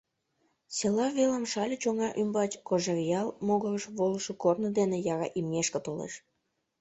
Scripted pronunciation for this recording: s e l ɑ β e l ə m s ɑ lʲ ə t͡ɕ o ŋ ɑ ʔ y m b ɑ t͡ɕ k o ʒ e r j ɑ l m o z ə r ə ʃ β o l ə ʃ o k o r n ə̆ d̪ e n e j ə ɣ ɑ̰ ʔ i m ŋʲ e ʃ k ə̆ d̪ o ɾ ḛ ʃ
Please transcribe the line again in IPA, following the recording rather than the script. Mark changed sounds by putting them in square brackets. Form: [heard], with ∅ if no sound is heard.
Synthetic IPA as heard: s e l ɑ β e l ə m [ʃ] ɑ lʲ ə t͡ɕ o ŋ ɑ ʔ y m b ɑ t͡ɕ k o ʒ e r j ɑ l m o [ɣ] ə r ə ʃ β o l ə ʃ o k o r n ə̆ d̪ e n e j [ɑ] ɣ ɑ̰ ʔ i m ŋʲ e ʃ k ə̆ [t̪] o [l] ḛ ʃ

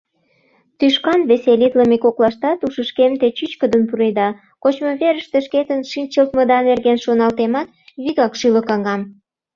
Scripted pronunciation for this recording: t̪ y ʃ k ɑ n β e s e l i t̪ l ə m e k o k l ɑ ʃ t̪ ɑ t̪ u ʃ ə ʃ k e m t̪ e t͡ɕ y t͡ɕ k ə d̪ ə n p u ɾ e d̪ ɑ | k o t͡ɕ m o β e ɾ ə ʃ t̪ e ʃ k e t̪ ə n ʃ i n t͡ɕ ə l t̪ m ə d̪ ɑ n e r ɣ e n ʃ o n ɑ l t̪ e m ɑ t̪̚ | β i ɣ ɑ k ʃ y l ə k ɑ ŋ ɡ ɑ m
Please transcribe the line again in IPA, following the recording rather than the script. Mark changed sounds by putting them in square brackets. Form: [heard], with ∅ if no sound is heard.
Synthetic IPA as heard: t̪ y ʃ k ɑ n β e s e l i t̪ l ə m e k o k l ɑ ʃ t̪ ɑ t̪ u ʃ ə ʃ k e m t̪ e t͡ɕ y t͡ɕ k ə d̪ ə n p u ɾ e d̪ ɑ | k o t͡ɕ m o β e ɾ ə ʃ t̪ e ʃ k e t̪ ə n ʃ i n t͡ɕ ə l t̪ m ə d̪ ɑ n e r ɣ e n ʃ o n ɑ l t̪ e m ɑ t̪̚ | β i ɣ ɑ k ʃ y l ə k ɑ ŋ ɡ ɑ m

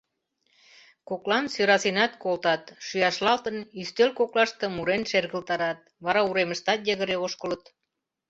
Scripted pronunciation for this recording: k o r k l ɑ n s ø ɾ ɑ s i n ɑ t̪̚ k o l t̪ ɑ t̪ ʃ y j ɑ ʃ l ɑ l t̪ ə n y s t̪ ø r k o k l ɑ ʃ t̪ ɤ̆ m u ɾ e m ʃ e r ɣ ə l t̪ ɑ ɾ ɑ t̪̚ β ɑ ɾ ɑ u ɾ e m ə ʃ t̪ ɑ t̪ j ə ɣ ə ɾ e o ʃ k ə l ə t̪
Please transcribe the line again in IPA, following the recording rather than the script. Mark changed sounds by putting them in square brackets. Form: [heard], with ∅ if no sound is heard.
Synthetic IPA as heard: k o [∅] k l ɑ n s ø ɾ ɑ s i n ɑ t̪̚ k o l t̪ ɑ t̪ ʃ y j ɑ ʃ l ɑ l t̪ ə n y s t̪ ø [l] k o k l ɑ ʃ t̪ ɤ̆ m u ɾ e [n] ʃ e r ɣ ə l t̪ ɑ ɾ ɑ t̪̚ β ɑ ɾ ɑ u ɾ e m ə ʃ t̪ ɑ t̪ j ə ɣ ə ɾ e o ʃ k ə l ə t̪

